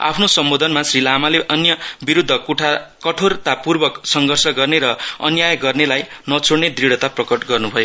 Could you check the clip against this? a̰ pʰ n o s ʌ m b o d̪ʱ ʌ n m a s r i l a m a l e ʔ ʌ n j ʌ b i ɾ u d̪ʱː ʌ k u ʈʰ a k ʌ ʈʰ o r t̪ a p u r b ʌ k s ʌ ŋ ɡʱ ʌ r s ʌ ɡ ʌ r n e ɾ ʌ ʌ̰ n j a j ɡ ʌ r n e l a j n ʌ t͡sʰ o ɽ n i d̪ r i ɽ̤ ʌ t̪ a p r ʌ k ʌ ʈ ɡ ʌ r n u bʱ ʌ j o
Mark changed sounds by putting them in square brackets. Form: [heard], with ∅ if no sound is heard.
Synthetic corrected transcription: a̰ pʰ n o s ʌ m b o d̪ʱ ʌ n m a s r i l a m a l e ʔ ʌ n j ʌ b i ɾ u d̪ʱː ʌ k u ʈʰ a k ʌ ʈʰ o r t̪ a p u r b ʌ k s ʌ ŋ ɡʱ ʌ r s ʌ ɡ ʌ r n e ɾ ʌ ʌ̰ n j a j ɡ ʌ r n e l a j n ʌ t͡sʰ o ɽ n [e] d̪ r i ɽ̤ ʌ t̪ a p r ʌ k ʌ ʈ ɡ ʌ r n u bʱ ʌ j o